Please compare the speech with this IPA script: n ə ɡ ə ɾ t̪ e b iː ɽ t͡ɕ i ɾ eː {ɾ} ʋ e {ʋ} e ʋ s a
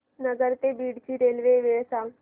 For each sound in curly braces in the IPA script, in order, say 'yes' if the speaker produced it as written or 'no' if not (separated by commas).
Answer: no, yes